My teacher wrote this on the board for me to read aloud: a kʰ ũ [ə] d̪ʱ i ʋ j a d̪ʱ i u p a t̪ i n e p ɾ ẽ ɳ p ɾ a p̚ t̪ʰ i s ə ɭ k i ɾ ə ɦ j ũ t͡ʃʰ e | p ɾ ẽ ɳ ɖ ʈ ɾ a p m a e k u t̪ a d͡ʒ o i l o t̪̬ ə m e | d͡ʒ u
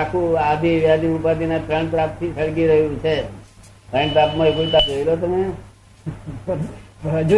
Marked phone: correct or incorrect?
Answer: incorrect